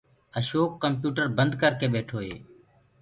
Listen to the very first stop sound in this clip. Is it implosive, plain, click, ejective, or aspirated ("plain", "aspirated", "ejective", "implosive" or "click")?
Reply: plain